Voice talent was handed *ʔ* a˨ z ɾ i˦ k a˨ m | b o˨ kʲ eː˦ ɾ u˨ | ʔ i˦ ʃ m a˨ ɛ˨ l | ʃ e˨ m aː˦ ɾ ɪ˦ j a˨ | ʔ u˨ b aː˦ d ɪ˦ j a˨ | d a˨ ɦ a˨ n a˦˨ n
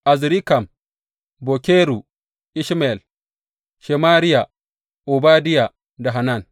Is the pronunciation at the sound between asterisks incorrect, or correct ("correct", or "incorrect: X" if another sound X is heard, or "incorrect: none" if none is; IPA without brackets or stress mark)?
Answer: correct